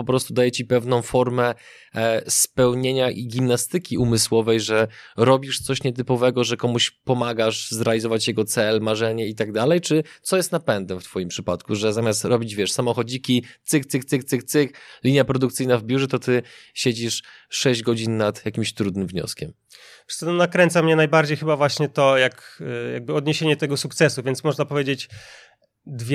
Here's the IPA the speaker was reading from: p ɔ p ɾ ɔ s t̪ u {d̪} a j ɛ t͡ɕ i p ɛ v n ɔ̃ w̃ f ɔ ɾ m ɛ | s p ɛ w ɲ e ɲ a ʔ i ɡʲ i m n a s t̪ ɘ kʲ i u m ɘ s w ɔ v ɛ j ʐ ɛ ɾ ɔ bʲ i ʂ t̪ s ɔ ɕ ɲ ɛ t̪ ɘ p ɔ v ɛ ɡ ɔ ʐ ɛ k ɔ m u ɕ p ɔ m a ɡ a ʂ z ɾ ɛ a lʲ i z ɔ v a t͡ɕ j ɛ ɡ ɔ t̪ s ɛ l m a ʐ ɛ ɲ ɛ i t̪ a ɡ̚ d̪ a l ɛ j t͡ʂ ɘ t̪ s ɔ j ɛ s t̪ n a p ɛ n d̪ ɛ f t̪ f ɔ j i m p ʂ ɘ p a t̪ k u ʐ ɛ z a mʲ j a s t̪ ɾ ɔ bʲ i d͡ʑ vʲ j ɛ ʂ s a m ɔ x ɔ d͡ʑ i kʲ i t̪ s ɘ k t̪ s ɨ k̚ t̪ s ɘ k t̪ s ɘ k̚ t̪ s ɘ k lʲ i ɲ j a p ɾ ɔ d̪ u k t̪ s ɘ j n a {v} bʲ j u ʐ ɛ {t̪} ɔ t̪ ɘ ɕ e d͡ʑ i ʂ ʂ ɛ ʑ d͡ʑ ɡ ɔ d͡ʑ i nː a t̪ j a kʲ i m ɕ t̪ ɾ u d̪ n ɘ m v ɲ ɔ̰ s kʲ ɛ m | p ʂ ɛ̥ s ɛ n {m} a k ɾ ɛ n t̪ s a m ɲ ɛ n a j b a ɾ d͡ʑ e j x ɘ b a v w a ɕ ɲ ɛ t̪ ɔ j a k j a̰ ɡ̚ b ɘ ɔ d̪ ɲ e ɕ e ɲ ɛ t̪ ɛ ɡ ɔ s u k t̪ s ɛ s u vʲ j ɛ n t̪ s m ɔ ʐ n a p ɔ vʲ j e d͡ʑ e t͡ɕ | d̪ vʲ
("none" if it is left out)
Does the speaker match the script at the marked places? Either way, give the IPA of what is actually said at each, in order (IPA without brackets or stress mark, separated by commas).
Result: d̪, v, t̪, n